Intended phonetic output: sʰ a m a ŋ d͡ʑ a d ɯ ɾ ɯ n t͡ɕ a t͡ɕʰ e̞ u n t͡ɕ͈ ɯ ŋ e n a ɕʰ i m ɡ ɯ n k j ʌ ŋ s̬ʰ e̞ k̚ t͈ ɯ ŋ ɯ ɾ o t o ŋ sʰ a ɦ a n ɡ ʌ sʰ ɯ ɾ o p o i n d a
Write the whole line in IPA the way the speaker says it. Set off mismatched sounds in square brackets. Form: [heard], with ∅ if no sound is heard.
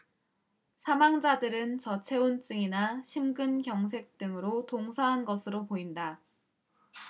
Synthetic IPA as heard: sʰ a m a ŋ d͡ʑ a d ɯ ɾ ɯ n t͡ɕ [ʌ] t͡ɕʰ e̞ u n t͡ɕ͈ ɯ ŋ [i] n a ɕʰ i m ɡ ɯ n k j ʌ ŋ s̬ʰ e̞ k̚ t͈ ɯ ŋ ɯ ɾ o t o ŋ sʰ a ɦ a n ɡ ʌ sʰ ɯ ɾ o p o i n d a